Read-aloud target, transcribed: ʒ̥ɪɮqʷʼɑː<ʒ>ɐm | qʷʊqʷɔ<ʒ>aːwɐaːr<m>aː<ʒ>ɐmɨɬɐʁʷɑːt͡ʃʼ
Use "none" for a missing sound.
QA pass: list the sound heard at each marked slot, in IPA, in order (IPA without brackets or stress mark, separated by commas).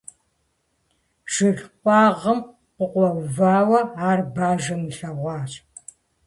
ʁ, v, b, ʒ